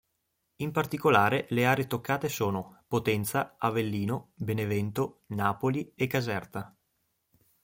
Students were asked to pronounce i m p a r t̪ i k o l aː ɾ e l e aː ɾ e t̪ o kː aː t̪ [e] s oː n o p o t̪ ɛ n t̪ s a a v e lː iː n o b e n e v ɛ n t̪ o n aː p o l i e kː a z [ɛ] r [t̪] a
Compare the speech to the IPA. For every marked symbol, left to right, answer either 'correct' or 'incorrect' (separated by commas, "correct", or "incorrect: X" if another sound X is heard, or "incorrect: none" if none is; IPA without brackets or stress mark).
correct, correct, correct